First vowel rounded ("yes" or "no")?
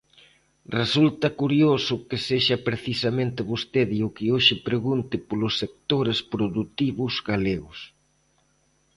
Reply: no